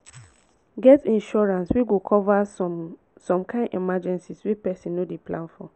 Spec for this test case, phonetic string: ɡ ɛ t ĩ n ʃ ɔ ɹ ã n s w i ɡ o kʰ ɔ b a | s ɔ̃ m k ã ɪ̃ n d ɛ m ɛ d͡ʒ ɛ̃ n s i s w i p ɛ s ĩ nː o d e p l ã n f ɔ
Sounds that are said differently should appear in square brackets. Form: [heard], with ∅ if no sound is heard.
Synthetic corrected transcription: ɡ ɛ t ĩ n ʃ ɔ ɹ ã n s w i ɡ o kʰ ɔ [v] a | s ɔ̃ m k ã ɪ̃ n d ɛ m [a] d͡ʒ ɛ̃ n s i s w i p ɛ s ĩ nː o d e p l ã n f ɔ